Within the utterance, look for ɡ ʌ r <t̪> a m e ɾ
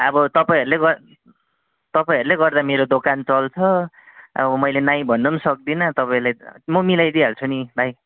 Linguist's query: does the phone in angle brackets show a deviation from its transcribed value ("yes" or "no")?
yes